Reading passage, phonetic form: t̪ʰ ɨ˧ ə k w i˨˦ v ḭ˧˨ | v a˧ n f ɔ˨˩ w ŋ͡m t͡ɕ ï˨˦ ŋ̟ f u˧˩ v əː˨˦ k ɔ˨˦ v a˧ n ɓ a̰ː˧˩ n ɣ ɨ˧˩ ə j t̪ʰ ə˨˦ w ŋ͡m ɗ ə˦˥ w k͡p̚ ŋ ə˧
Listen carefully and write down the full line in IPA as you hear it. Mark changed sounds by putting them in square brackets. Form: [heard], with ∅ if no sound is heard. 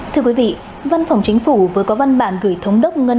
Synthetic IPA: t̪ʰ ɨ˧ ə k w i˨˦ v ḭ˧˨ | v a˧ n f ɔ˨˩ w ŋ͡m t͡ɕ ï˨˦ ŋ̟ f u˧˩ v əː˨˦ k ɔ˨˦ v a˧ n ɓ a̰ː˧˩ n ɣ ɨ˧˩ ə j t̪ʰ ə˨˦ w ŋ͡m ɗ ə˦˥ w k͡p̚ ŋ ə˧